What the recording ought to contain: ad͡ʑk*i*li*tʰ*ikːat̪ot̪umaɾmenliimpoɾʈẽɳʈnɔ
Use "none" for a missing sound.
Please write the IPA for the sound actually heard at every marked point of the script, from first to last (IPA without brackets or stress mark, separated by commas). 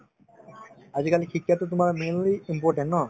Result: a, kʰ